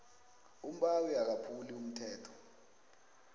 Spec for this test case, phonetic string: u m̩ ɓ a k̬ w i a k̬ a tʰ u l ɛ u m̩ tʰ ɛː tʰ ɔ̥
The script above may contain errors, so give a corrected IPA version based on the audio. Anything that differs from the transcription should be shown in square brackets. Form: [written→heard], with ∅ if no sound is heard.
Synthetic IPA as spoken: u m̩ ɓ a [k̬→∅] w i a k̬ a [tʰ→pʰ] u l [ɛ→i] u m̩ tʰ ɛː tʰ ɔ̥

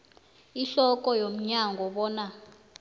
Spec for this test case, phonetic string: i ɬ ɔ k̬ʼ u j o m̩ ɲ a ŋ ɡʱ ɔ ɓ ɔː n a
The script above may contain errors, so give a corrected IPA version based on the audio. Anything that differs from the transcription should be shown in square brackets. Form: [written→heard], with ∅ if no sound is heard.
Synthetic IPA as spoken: i ɬ ɔ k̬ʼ [u→ɔ] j o m̩ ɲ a ŋ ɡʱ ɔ ɓ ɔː n a

